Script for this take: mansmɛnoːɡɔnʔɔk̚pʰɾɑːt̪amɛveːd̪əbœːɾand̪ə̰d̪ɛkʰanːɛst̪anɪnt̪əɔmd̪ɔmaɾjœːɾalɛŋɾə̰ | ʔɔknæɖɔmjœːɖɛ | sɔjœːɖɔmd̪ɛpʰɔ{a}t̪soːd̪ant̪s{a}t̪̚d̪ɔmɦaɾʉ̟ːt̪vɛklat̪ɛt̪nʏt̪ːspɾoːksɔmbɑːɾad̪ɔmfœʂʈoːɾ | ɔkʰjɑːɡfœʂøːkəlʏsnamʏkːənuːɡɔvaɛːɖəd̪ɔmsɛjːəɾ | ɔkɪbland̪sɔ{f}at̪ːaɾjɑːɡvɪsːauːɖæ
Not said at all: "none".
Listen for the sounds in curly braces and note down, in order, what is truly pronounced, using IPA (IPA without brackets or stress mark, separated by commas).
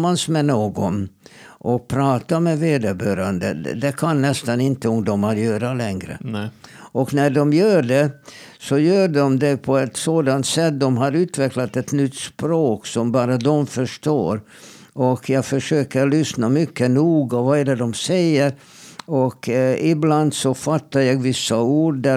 ɛ, ɛ, f